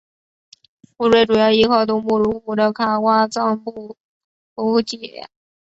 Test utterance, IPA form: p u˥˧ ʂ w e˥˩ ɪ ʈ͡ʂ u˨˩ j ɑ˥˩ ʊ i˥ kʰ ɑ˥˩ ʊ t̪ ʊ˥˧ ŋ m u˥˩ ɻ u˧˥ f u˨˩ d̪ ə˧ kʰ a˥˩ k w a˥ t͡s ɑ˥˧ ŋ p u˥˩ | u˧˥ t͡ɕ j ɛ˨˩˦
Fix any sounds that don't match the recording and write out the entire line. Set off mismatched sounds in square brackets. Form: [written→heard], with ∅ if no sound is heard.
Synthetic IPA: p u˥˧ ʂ w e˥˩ ɪ ʈ͡ʂ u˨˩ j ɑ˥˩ ʊ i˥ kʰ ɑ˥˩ ʊ t̪ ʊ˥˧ ŋ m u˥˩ ɻ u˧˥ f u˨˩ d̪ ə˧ kʰ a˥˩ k w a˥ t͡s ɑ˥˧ ŋ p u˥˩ | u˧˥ t͡ɕ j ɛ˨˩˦